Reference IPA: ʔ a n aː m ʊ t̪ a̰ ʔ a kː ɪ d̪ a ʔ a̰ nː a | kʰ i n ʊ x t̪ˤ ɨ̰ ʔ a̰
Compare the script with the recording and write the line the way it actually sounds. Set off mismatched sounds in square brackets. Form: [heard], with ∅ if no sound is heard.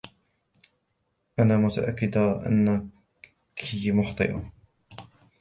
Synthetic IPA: ʔ a n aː m ʊ t̪ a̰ ʔ a kː ɪ d̪ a ʔ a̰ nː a | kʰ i [m] ʊ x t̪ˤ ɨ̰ ʔ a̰